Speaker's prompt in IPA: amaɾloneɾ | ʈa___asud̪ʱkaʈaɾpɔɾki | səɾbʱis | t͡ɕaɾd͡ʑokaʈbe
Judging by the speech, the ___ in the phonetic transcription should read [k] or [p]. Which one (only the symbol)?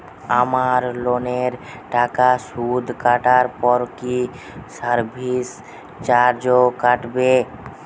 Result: k